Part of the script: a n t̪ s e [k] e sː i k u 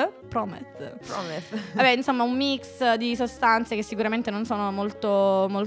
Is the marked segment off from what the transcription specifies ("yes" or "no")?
no